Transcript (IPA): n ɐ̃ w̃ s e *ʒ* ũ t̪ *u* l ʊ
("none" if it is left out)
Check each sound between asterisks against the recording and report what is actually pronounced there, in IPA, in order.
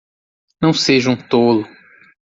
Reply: ʒ, o

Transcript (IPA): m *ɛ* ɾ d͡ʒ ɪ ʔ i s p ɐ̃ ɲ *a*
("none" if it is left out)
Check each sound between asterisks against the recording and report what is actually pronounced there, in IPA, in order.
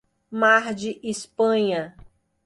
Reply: a, ɐ

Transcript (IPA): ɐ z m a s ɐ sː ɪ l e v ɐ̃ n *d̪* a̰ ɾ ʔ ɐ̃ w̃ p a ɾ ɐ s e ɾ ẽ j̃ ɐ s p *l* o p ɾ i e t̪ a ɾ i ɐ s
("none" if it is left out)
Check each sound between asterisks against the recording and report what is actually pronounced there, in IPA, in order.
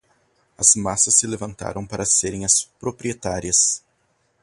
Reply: t̪, ɾ

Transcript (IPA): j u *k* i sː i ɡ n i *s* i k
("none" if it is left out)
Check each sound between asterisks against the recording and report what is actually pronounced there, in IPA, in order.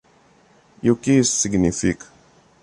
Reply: k, f

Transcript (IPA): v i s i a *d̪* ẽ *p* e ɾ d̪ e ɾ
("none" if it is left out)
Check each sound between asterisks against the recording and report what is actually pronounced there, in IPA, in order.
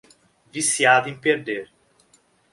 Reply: d̪, p

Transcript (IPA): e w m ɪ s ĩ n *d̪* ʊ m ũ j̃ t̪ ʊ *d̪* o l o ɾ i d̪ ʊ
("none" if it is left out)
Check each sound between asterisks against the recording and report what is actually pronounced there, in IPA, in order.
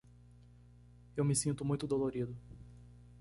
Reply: t̪, d̪

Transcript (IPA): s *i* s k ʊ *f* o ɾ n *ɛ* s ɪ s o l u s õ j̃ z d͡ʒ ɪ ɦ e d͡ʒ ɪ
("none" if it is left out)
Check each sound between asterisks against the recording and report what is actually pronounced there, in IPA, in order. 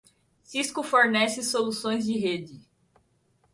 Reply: i, f, ɛ

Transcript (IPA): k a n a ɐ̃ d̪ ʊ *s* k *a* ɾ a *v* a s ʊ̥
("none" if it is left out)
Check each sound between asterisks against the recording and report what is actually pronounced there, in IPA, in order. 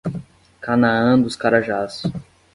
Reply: s, a, ʒ

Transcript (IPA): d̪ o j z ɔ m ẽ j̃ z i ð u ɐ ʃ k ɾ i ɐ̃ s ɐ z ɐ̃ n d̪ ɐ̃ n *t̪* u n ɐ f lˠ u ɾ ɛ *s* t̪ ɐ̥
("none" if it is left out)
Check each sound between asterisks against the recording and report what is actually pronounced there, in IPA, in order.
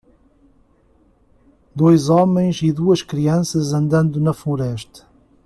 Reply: d̪, ʃ

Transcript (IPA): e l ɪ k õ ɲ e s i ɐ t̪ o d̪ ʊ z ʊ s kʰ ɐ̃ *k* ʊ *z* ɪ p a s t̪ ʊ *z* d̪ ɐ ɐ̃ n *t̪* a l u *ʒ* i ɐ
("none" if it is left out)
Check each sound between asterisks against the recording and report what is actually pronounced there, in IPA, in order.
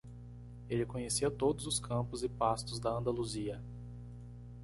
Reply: p, z, z, d̪, z

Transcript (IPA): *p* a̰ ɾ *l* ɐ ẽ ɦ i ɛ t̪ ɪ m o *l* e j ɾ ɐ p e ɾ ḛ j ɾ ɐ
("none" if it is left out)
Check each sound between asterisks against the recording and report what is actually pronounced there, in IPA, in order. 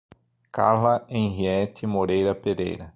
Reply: k, l, ɾ

